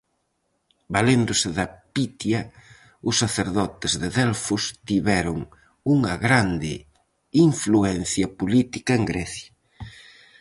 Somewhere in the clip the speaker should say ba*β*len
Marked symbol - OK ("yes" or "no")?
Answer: no